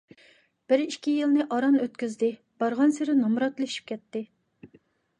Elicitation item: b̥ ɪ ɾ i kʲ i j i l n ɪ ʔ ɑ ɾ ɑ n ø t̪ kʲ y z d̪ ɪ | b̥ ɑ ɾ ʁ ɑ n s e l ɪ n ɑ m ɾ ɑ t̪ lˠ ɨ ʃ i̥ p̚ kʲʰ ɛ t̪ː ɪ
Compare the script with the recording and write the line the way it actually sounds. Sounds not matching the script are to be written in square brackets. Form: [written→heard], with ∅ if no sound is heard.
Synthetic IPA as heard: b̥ ɪ ɾ i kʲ i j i l n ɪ ʔ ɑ ɾ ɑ n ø t̪ kʲ y z d̪ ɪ | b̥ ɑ ɾ ʁ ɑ n s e [l→ɾ] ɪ n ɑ m ɾ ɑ t̪ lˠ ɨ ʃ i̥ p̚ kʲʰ ɛ t̪ː ɪ